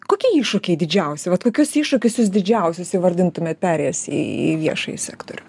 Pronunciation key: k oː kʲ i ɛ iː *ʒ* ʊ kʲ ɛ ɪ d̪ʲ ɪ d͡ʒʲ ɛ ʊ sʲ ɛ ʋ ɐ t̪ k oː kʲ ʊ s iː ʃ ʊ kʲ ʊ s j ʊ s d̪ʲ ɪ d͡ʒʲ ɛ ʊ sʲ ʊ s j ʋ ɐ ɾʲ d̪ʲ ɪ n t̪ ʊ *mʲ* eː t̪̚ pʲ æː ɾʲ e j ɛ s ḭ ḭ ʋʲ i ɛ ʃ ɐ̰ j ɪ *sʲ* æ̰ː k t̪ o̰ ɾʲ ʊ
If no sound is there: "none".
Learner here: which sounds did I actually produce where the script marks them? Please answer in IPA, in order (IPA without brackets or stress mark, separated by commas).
ʃ, mʲ, sʲ